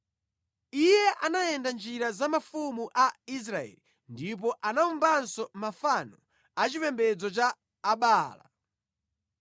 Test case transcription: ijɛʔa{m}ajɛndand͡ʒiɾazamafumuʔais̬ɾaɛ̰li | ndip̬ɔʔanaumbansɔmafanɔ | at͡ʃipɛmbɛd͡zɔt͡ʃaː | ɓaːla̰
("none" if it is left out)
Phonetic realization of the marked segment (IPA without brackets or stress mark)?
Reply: n